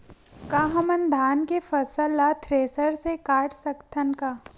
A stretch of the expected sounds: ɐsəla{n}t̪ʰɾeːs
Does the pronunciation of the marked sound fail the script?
yes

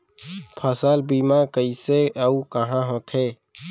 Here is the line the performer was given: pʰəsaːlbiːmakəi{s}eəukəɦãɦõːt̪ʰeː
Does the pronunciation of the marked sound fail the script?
no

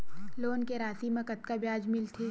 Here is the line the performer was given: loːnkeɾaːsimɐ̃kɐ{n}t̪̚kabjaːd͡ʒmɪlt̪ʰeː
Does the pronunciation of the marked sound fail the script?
yes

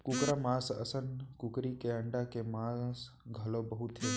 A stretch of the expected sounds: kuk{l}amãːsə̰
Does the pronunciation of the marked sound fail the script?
yes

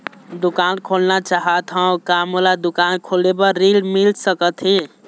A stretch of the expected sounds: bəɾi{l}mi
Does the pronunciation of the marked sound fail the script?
no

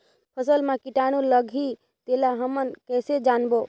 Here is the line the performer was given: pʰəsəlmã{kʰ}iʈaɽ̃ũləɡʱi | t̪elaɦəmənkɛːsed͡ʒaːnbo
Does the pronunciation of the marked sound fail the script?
yes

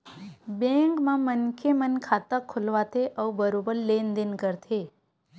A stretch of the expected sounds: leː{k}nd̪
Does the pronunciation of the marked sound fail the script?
yes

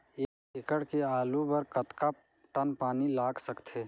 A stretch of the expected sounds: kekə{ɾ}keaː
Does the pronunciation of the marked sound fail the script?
yes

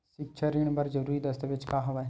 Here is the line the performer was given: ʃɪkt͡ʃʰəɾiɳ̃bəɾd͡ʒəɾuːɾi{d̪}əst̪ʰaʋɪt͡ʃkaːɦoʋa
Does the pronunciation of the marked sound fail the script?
no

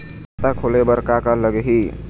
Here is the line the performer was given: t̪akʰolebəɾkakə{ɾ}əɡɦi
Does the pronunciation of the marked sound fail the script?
yes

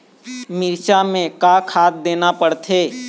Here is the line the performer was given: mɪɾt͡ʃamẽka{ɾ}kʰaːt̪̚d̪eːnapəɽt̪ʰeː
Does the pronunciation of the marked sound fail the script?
yes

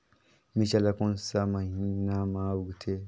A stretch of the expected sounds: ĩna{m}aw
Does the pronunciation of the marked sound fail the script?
no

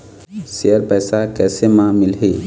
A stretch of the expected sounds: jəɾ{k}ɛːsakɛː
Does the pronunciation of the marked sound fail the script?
yes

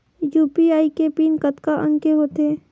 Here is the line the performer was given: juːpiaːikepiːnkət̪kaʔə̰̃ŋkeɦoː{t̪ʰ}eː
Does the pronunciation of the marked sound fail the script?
yes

